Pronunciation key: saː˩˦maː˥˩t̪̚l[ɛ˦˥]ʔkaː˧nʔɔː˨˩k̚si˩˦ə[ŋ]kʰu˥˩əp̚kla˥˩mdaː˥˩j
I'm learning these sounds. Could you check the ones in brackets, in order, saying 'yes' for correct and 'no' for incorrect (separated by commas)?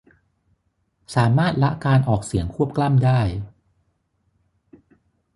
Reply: no, yes